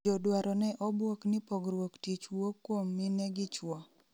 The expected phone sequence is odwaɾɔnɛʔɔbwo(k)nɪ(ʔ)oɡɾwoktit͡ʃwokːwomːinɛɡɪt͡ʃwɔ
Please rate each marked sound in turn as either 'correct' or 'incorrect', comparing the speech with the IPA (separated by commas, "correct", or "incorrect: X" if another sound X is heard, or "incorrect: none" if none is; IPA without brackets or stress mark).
correct, incorrect: p